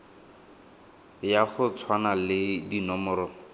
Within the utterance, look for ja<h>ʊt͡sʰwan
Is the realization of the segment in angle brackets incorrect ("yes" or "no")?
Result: yes